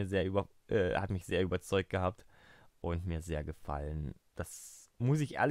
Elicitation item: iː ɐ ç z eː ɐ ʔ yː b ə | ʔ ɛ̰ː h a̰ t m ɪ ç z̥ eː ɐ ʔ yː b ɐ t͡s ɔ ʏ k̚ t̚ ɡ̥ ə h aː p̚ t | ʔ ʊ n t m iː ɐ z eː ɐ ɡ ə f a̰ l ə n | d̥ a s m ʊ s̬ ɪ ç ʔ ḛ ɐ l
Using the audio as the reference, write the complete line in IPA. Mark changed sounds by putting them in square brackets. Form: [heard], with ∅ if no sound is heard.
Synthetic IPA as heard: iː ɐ [∅] z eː ɐ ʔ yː b [ɐ] | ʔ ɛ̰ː h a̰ t m ɪ ç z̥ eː ɐ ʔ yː b ɐ t͡s ɔ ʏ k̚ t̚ ɡ̥ ə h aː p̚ t | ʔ ʊ n t m iː ɐ z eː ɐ ɡ ə f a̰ l ə n | d̥ a s m ʊ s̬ ɪ ç ʔ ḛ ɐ l

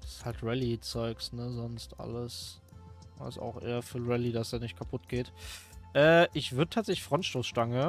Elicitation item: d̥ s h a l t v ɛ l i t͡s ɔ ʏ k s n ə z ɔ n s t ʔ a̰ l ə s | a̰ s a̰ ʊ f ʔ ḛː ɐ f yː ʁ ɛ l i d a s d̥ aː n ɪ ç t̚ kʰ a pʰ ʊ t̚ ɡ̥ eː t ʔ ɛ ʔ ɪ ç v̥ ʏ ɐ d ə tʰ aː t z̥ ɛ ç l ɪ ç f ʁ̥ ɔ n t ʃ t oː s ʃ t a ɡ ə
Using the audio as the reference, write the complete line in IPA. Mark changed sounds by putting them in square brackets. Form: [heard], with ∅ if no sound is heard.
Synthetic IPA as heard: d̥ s h a l t [ʁ] ɛ l i t͡s ɔ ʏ k s n ə z ɔ n s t ʔ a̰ l ə s | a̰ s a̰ ʊ [x] ʔ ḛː ɐ f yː ʁ ɛ l i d a s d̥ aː n ɪ ç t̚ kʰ a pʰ ʊ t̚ ɡ̥ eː t ʔ [ɛː] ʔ ɪ ç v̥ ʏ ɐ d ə tʰ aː t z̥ ɛ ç l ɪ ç f ʁ̥ ɔ n t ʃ t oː s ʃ t a [ŋ] ə

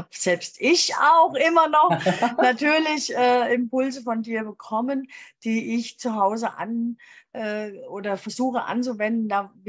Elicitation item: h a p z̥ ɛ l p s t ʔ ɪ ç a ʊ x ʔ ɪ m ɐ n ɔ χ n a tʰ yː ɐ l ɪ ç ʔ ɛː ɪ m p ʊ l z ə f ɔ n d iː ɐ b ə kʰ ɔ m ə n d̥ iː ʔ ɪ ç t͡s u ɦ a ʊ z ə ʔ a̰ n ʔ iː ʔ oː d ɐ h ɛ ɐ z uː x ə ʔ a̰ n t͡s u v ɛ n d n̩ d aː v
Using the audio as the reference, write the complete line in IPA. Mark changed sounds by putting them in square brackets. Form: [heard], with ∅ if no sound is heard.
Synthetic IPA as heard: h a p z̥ ɛ l p s t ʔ ɪ ç a ʊ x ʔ ɪ m ɐ n ɔ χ n a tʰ yː ɐ l ɪ ç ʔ ɛː ɪ m p ʊ l z ə f ɔ n d iː ɐ b ə kʰ ɔ m ə n d̥ iː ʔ ɪ ç t͡s u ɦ a ʊ z ə ʔ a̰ n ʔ [ɛː] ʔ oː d ɐ [f] ɛ ɐ z uː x ə ʔ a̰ n t͡s u v ɛ n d n̩ d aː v

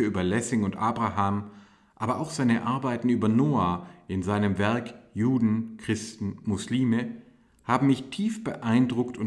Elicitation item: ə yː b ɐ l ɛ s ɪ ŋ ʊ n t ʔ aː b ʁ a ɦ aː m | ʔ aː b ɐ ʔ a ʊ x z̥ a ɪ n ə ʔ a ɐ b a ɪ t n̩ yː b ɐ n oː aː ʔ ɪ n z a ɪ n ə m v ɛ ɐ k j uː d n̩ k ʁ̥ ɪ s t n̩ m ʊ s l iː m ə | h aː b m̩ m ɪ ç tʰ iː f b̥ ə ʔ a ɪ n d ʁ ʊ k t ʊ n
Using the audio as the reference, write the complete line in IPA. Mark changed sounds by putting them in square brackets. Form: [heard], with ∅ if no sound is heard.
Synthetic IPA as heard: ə yː b ɐ l ɛ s ɪ ŋ ʊ n t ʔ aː b ʁ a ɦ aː m | ʔ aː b ɐ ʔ a ʊ x z̥ a ɪ n ə ʔ a ɐ b a ɪ t n̩ yː b ɐ n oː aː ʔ ɪ n z a ɪ n ə m v ɛ ɐ k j uː d n̩ k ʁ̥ ɪ s t n̩ m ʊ s l iː m ə | h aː b m̩ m ɪ ç tʰ iː f b̥ ə ʔ a ɪ n d ʁ ʊ k t ʊ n

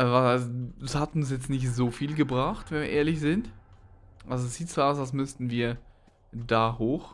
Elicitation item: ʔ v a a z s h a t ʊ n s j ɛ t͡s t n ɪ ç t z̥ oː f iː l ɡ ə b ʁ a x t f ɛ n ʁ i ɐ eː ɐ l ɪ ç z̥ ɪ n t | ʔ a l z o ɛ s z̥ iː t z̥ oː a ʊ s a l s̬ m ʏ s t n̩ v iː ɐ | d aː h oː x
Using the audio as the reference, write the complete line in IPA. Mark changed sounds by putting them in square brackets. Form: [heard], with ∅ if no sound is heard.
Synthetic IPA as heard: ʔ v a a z s h a t ʊ n s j ɛ t͡s t n ɪ ç t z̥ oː f iː l ɡ ə b ʁ a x t [v] ɛ n [v] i ɐ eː ɐ l ɪ ç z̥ ɪ n t | ʔ a l z o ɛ s z̥ iː t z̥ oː a ʊ s a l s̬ m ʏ s t n̩ v iː ɐ | d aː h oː x

